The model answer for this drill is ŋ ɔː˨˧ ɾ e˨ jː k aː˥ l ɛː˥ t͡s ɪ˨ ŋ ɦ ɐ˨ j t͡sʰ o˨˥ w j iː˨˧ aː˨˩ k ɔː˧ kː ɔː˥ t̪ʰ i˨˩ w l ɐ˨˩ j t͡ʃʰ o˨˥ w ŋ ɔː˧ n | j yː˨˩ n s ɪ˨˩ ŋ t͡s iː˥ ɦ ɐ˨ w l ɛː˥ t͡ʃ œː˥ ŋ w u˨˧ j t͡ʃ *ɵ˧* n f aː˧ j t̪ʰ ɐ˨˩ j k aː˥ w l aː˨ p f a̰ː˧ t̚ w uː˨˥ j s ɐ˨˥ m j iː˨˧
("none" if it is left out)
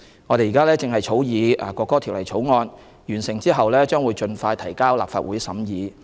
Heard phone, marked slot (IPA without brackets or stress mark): ɵ˧